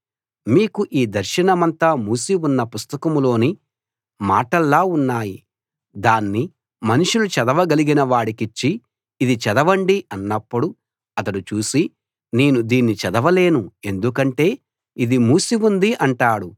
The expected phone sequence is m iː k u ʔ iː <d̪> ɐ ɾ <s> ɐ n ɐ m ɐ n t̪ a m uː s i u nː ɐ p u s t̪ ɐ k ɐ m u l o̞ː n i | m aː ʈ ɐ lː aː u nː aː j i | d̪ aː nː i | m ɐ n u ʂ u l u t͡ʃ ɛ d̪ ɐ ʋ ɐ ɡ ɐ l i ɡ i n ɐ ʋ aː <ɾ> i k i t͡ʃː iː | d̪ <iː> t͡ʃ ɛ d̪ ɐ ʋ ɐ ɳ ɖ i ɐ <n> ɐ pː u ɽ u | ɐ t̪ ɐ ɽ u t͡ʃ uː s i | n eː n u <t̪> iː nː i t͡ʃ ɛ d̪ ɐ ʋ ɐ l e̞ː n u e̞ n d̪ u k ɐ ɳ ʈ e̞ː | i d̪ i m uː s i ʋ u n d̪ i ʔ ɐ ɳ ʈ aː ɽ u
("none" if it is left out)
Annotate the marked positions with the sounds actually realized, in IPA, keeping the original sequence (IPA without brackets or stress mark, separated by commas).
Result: d̪, ʃ, ɽ, i, nː, d̪